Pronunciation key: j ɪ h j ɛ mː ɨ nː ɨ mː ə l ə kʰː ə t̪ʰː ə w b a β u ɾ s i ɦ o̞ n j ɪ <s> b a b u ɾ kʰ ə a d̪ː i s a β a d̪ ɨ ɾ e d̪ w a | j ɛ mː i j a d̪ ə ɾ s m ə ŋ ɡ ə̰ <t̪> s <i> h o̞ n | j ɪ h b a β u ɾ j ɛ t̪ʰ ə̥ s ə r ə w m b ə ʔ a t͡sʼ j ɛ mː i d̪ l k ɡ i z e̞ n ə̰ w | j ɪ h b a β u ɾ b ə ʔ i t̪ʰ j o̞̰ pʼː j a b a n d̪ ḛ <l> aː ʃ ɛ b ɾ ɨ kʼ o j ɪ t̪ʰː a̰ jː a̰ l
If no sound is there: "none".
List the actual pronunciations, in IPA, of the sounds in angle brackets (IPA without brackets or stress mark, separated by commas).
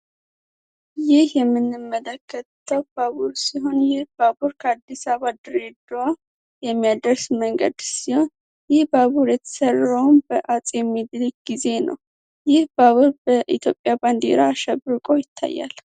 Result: h, d̪, i, ɾ